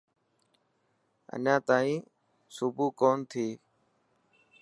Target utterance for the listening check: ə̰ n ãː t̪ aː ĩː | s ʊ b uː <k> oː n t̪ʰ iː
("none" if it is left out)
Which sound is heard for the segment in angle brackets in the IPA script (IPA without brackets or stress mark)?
k